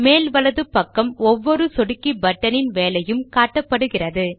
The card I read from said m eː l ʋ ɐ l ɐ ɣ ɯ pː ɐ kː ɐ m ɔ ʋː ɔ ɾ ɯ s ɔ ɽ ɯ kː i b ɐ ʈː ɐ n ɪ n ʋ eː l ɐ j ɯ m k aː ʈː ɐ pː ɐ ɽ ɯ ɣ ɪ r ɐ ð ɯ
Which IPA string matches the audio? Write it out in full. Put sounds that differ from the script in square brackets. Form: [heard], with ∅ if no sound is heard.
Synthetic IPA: m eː l ʋ ɐ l ɐ [ð] ɯ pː ɐ kː ɐ m ɔ ʋː ɔ ɾ ɯ s ɔ ɽ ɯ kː i b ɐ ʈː ɐ n ɪ n ʋ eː l ɐ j ɯ m k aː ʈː ɐ pː ɐ ɽ ɯ ɣ ɪ r ɐ ð ɯ